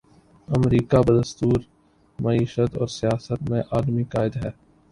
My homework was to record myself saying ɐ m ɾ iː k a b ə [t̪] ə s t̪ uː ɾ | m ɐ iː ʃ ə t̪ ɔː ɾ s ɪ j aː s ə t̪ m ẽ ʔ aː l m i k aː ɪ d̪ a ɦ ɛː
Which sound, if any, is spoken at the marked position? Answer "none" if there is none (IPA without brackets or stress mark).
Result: d̪